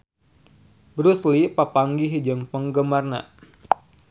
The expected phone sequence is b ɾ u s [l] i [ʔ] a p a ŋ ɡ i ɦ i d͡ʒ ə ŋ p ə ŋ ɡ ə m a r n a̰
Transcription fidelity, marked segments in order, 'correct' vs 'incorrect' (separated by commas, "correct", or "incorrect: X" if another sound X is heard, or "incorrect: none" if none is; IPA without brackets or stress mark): correct, incorrect: p